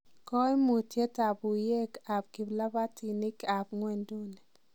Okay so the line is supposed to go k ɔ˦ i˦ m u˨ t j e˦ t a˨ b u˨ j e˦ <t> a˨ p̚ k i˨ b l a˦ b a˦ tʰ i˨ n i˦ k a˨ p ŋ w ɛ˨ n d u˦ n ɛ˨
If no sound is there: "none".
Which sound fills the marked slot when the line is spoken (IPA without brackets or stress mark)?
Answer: k